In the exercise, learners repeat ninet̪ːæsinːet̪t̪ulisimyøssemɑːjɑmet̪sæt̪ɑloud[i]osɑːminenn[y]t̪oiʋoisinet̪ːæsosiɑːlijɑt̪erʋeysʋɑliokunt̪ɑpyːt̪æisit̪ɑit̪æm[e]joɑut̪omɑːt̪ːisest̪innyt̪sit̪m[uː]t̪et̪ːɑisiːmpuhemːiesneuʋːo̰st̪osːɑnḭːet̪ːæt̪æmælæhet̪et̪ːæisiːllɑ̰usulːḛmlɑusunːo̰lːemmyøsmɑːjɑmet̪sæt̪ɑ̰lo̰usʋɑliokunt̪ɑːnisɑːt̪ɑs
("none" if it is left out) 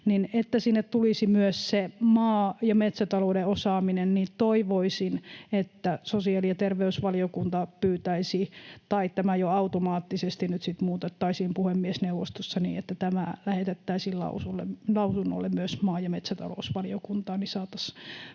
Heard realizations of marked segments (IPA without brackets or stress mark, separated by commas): e, i, æ, uː